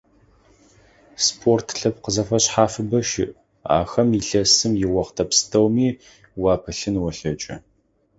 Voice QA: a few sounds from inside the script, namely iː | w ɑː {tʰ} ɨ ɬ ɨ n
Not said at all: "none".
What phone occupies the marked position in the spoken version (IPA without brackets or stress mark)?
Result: pʰ